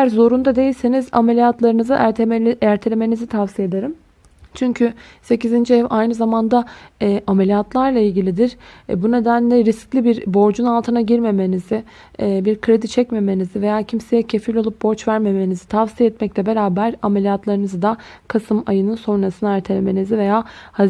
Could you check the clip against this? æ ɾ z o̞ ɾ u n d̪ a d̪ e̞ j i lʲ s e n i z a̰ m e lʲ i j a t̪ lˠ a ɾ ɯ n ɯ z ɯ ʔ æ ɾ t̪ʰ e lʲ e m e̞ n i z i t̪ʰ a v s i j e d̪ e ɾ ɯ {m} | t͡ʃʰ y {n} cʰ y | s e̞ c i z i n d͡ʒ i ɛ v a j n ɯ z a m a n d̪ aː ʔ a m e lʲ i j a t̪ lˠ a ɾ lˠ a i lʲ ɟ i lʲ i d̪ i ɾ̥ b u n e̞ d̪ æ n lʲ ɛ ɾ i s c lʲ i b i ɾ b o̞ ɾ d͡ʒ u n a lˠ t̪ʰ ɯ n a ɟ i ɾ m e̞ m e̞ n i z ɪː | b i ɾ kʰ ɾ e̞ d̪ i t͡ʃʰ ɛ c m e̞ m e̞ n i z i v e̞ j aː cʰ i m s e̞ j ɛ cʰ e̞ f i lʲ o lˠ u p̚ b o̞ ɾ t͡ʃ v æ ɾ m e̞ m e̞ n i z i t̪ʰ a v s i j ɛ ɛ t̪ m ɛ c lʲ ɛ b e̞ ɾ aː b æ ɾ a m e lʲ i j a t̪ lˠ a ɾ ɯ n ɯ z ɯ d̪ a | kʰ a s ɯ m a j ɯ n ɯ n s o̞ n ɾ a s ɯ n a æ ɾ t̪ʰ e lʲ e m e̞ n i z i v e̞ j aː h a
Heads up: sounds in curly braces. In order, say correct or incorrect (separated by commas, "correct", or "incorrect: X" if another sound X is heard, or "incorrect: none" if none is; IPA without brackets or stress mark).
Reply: correct, incorrect: ɲ